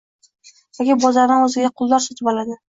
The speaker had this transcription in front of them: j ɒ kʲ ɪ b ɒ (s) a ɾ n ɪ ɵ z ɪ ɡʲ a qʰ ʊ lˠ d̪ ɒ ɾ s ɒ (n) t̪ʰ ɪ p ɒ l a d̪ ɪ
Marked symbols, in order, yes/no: no, no

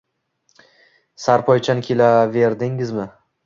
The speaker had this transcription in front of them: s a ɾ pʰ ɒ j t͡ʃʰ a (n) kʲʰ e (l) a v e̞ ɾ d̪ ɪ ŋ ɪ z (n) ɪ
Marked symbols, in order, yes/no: yes, yes, no

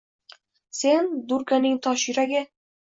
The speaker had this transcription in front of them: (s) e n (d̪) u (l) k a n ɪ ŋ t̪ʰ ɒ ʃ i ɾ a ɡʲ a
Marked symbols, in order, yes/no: yes, yes, no

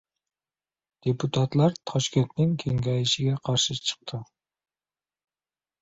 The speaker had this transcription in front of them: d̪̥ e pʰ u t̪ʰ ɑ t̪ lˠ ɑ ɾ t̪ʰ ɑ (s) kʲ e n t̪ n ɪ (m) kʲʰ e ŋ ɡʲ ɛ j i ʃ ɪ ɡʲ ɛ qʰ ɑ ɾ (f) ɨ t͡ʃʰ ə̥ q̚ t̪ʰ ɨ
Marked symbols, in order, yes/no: no, no, no

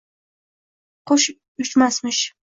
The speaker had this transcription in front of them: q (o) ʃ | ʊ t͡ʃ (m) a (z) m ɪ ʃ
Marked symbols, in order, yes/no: yes, yes, no

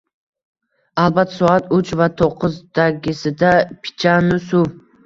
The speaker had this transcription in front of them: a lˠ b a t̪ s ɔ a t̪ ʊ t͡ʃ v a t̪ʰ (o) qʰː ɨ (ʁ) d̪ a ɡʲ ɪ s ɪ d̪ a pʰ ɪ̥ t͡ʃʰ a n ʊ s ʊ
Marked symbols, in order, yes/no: yes, no

